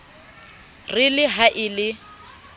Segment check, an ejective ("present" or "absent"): absent